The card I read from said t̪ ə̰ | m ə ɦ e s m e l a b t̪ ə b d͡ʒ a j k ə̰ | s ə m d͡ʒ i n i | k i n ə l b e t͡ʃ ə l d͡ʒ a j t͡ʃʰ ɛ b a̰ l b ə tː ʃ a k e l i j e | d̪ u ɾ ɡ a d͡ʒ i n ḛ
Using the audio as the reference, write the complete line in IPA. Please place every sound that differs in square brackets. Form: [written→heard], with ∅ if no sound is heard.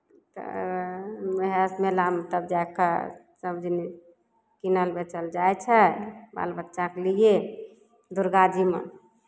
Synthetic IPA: t̪ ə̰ | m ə ɦ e s m e l a [b→m] t̪ ə b d͡ʒ a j k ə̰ | s ə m d͡ʒ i n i | k i n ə l b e t͡ʃ ə l d͡ʒ a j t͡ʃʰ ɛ b a̰ l b ə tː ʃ a k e l i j e | d̪ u ɾ ɡ a d͡ʒ i [n→m] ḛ